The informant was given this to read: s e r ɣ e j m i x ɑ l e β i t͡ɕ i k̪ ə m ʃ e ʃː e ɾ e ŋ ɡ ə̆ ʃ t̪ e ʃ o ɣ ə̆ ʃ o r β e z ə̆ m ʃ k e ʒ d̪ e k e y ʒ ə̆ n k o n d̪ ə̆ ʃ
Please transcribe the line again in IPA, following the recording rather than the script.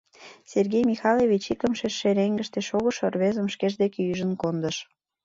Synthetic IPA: s e r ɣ e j m i x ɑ l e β i t͡ɕ i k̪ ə m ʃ e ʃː e ɾ e ŋ ɡ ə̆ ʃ t̪ e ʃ o ɣ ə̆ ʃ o r β e z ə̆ m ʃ k e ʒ d̪ e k e y ʒ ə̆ n k o n d̪ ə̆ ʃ